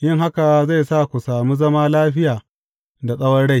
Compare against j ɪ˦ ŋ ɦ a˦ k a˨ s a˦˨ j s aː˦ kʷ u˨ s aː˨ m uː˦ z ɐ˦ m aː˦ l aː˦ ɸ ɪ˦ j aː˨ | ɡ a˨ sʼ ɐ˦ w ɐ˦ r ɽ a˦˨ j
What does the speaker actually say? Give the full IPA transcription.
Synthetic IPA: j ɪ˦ ŋ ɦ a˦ k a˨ z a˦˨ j s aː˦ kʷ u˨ s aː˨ m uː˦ z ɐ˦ m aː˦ l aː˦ ɸ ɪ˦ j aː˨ | d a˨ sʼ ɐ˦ w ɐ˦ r ɽ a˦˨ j